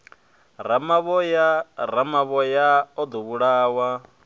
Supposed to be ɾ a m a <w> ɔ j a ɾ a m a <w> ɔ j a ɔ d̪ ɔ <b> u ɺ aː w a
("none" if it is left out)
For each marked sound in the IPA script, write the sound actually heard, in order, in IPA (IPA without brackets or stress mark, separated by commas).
β, β, β